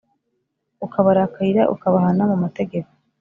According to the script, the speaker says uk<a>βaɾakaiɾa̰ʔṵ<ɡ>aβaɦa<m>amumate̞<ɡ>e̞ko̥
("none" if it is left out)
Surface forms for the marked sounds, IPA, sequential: a, k, n, ɡ

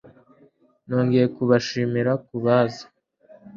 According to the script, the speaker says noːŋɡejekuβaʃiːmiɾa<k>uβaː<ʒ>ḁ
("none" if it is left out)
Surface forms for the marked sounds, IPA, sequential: k, z

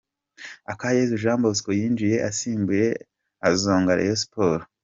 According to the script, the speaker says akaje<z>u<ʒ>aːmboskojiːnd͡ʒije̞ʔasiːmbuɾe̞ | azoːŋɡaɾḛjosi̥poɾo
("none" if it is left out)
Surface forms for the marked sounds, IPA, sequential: z, ʒ

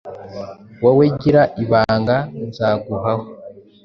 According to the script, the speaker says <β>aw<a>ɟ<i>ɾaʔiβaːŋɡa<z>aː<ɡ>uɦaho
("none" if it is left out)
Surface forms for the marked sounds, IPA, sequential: w, e, i, z, ɡ

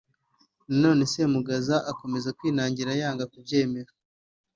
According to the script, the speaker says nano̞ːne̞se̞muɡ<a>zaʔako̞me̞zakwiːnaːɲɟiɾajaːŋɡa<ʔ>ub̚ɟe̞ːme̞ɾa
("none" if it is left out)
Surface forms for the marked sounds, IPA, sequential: a, k

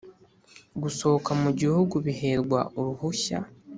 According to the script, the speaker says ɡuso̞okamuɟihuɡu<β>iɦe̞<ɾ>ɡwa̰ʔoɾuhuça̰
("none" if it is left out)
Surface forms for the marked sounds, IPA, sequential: β, ɾ

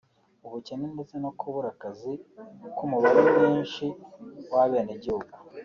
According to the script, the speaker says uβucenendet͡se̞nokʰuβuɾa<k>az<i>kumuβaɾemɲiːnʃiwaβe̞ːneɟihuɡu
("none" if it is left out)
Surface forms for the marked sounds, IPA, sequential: k, i

